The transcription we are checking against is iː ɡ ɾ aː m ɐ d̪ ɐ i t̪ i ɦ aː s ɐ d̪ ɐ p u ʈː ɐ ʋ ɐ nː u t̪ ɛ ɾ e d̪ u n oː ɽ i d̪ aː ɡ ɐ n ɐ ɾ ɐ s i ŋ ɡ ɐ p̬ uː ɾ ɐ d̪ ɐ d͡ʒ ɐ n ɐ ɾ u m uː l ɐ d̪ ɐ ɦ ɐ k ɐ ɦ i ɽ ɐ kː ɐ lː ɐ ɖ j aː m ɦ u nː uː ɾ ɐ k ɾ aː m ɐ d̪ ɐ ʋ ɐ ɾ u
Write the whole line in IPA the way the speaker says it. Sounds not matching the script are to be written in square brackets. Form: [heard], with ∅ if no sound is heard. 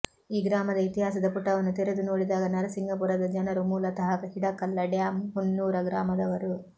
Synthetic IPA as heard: iː ɡ ɾ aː m ɐ d̪ ɐ i t̪ i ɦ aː s ɐ d̪ ɐ p u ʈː ɐ ʋ ɐ nː u t̪ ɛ ɾ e d̪ u n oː ɽ i d̪ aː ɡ ɐ n ɐ ɾ ɐ s i ŋ ɡ ɐ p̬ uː ɾ ɐ d̪ ɐ d͡ʒ ɐ n ɐ ɾ u m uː l ɐ [t̪] ɐ ɦ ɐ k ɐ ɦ i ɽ ɐ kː ɐ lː ɐ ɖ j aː m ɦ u nː uː ɾ ɐ [ɡ] ɾ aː m ɐ d̪ ɐ ʋ ɐ ɾ u